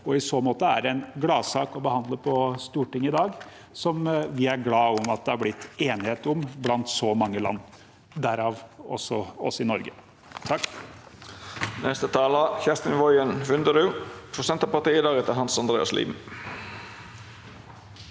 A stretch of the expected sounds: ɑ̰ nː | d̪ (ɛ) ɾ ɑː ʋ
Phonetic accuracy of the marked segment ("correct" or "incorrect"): incorrect